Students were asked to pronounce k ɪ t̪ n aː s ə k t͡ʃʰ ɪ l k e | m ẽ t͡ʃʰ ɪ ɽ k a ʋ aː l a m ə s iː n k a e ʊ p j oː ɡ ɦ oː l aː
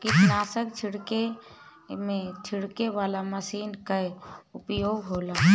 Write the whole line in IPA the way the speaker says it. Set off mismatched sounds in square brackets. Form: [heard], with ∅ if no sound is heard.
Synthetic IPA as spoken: k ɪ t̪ n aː s ə k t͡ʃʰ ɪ [ɽ] k e | m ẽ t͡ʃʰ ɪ ɽ k [e] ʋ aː l a m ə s iː n k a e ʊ p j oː ɡ ɦ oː l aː

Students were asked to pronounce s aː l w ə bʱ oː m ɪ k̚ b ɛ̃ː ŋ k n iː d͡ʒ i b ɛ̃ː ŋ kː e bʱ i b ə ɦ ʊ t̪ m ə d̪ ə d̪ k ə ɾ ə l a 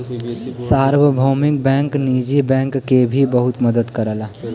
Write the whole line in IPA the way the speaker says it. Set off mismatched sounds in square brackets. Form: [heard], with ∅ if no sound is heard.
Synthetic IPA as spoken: s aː [ɾ] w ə bʱ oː m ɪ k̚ b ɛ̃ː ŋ k n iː d͡ʒ i b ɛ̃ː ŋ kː e bʱ i b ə ɦ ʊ t̪ m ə d̪ ə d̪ k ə ɾ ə l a

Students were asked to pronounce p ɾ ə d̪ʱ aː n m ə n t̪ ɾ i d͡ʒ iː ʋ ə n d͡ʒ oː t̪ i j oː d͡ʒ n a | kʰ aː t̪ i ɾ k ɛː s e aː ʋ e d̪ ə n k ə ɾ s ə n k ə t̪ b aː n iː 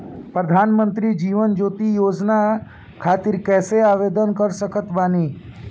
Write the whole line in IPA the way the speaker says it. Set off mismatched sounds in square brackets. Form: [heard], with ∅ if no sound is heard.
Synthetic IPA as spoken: p ɾ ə d̪ʱ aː n m ə n t̪ ɾ i d͡ʒ iː ʋ ə n d͡ʒ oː t̪ i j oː d͡ʒ n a | kʰ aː t̪ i ɾ k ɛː s e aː ʋ e d̪ ə n k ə ɾ s ə [∅] k ə t̪ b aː n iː

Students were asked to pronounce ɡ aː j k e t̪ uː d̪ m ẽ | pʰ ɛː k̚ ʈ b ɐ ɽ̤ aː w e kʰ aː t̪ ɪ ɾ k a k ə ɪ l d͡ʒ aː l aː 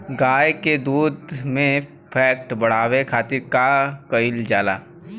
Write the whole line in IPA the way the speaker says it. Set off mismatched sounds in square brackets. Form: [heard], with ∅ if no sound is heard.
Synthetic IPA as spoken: ɡ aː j k e [d̪] uː d̪ m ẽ | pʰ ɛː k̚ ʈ b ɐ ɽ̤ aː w e kʰ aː t̪ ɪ ɾ k a k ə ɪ l d͡ʒ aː l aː

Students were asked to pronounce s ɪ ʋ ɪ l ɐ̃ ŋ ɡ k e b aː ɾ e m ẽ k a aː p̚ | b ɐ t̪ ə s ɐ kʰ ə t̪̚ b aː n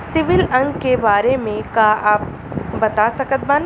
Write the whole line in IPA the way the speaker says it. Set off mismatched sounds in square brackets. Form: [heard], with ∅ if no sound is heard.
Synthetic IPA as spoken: s ɪ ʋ ɪ l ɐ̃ ŋ ɡ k e b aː ɾ e m ẽ k a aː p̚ | b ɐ t̪ [a] s ɐ [k] ə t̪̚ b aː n

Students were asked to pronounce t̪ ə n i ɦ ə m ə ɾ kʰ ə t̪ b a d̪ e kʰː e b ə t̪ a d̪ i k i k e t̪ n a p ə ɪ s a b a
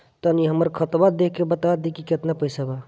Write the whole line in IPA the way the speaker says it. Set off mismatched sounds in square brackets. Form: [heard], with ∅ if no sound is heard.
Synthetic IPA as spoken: t̪ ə n i ɦ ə m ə ɾ kʰ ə t̪ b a d̪ e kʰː e b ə t̪ a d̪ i k i k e t̪ n a p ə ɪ s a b a

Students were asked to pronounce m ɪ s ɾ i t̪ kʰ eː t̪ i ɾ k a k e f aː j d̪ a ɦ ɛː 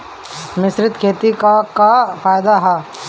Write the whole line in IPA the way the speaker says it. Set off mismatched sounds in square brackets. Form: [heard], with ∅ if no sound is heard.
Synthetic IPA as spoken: m ɪ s ɾ [ɪ] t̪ kʰ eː t̪ i [∅] k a k [a] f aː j d̪ a ɦ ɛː

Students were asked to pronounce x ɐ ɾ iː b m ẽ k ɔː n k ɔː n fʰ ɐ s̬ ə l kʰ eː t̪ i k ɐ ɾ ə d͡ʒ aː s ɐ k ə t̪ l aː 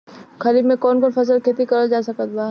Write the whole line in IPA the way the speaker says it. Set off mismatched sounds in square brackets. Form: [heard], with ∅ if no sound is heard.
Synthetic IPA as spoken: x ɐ ɾ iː b m ẽ k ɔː n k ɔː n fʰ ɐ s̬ ə l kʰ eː t̪ i k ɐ ɾ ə d͡ʒ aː s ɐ k ə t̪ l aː

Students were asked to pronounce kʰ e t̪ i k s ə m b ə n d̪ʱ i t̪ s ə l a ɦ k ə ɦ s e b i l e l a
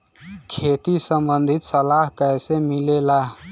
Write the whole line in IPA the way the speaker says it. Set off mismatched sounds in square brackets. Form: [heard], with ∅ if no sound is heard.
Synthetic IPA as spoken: kʰ e t̪ i [∅] s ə m b ə n d̪ʱ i t̪ s ə l a ɦ k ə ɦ s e [m] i l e l a

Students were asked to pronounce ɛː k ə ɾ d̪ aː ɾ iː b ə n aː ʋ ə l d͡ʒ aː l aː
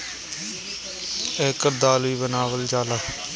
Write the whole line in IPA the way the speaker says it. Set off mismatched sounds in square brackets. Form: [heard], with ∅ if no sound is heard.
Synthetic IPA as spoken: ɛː k ə ɾ d̪ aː [l] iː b ə n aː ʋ ə l d͡ʒ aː l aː

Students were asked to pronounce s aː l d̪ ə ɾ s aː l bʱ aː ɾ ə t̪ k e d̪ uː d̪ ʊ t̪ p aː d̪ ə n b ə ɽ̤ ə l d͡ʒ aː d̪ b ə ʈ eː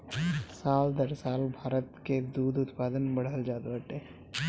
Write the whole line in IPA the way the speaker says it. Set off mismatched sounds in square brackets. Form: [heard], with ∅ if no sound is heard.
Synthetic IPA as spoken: s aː l d̪ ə ɾ s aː l bʱ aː ɾ ə t̪ k e d̪ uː d̪ ʊ t̪ p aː d̪ ə n b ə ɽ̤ ə l d͡ʒ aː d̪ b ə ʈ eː

